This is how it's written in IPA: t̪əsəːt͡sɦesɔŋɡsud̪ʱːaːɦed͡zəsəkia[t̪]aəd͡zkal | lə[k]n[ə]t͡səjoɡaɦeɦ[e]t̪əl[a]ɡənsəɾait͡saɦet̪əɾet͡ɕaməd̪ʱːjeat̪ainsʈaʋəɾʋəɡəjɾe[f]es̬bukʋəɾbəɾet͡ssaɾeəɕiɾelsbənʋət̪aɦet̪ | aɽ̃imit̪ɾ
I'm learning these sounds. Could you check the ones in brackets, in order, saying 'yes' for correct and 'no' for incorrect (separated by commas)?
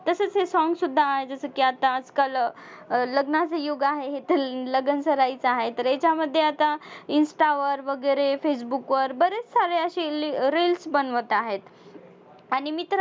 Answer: yes, no, no, yes, no, yes